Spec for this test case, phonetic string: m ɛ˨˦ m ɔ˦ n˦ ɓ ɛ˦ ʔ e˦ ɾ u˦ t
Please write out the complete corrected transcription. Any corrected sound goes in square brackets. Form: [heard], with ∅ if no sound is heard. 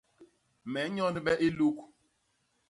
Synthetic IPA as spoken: m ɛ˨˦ [ɲ] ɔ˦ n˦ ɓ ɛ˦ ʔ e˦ [l] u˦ [k]